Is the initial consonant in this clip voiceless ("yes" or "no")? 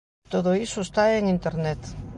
yes